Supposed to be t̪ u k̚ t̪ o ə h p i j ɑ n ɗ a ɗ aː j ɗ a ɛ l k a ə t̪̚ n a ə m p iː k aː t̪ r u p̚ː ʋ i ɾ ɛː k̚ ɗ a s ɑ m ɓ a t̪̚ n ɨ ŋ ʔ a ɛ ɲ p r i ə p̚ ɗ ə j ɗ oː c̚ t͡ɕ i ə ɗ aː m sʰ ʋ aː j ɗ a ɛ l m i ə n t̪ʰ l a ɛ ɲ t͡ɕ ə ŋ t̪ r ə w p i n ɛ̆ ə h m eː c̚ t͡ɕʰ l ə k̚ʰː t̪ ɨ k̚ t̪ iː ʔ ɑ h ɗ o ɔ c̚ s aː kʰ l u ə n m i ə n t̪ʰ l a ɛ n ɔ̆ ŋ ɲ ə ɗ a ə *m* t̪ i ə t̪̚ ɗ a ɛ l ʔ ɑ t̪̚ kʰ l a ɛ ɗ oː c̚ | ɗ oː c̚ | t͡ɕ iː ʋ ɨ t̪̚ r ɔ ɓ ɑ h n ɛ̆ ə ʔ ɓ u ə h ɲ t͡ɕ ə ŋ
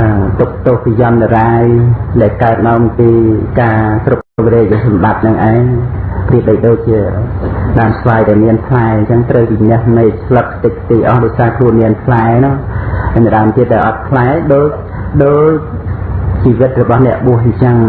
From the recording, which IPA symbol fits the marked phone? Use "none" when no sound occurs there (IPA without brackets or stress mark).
m